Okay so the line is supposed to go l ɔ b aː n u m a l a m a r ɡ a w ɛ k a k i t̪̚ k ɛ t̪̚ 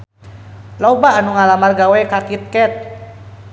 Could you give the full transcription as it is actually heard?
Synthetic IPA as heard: l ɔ b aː n u ŋ a l a m a r ɡ a w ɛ k a k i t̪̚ k ɛ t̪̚